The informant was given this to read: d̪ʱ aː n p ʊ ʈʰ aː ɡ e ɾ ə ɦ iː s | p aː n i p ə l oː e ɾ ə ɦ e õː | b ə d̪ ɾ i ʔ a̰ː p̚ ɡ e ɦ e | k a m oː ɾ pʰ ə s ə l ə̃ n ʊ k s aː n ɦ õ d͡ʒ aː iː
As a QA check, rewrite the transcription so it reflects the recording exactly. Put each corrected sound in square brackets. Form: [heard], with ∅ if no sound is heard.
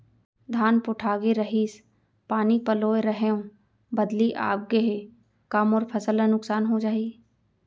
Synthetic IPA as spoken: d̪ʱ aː n p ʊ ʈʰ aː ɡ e ɾ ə ɦ iː s | p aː n i p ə l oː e ɾ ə ɦ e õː | b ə d̪ [l] i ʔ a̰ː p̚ ɡ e ɦ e | k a m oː ɾ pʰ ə s ə l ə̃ n ʊ k s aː n ɦ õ d͡ʒ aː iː